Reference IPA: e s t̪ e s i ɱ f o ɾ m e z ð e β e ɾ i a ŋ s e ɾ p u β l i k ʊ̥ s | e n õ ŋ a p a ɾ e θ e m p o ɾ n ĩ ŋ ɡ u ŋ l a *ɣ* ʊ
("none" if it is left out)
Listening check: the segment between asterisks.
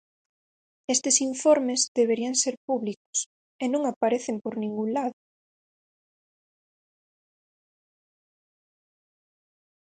ð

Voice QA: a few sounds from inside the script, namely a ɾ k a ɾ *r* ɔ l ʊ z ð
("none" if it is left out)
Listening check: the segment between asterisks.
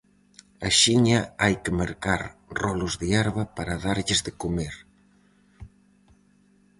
r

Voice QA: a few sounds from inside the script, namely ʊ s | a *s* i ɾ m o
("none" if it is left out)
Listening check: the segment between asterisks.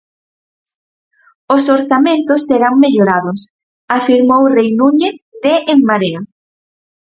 f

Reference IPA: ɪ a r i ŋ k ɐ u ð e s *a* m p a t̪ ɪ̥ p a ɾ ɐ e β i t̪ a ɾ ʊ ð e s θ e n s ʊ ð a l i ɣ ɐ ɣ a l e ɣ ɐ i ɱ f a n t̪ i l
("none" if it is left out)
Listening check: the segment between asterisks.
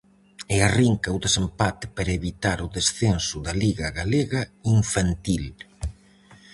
e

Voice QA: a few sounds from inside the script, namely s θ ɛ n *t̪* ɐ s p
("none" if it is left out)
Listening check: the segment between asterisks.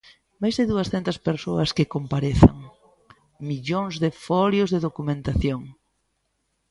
t̪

